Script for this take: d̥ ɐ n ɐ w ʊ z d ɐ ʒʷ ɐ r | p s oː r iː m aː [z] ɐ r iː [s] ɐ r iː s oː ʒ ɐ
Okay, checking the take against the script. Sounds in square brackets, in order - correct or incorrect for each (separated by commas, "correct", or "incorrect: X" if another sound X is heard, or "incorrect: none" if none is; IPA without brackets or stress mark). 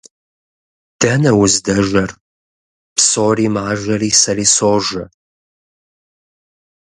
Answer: incorrect: ʒ, correct